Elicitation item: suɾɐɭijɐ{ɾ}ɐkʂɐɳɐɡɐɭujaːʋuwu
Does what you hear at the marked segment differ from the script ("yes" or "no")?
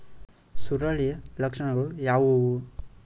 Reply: yes